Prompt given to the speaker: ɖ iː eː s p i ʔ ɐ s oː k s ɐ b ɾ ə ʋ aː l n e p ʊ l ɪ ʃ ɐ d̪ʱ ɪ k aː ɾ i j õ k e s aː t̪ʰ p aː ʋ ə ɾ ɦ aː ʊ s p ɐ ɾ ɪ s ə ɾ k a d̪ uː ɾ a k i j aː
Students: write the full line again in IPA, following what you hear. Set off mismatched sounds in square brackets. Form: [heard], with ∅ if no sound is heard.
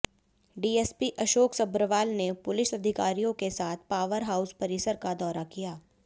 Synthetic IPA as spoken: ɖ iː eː s p i ʔ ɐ [ʃ] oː k s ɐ b ɾ ə ʋ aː l n e p ʊ l ɪ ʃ ɐ d̪ʱ ɪ k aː ɾ i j õ k e s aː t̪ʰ p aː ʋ ə ɾ ɦ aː ʊ s p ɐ ɾ ɪ s ə ɾ k a d̪ [ɔː] ɾ a k i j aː